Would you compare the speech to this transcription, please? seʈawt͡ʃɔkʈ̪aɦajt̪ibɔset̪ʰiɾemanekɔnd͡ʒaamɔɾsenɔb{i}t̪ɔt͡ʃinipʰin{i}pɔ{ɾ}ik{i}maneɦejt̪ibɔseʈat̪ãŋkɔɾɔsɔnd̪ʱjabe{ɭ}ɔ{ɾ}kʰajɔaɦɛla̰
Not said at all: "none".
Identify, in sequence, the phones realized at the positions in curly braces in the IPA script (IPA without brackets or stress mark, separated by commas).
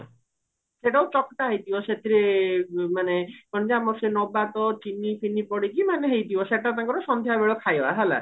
a, i, ɽ, i, ɭ, none